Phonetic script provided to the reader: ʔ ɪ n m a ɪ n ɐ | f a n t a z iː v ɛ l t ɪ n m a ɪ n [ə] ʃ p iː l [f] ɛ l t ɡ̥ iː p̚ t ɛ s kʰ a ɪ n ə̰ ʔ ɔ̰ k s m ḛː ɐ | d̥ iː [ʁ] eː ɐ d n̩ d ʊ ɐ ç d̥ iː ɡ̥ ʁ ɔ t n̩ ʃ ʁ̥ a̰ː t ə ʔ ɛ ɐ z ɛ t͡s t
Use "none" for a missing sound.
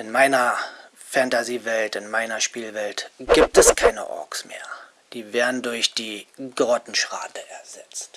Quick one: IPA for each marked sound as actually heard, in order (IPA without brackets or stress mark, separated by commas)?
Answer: ɐ, v, v